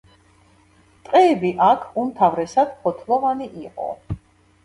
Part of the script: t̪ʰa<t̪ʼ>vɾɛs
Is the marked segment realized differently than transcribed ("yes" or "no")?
yes